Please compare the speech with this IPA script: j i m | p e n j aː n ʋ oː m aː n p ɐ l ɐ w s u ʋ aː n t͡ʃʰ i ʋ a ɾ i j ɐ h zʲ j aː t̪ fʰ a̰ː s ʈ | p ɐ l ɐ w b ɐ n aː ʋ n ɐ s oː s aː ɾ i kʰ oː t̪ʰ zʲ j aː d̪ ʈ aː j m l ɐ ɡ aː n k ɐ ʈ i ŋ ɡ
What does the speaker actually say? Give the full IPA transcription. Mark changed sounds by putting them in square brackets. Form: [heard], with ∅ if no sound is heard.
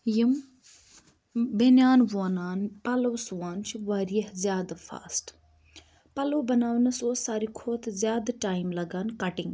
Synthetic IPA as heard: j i m | [b] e n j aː n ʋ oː [n] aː n p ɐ l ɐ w s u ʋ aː n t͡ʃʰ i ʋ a ɾ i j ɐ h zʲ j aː [d̪] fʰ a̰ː s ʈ | p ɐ l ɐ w b ɐ n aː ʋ n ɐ s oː s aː ɾ i kʰ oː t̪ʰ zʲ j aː d̪ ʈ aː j m l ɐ ɡ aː n k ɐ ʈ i ŋ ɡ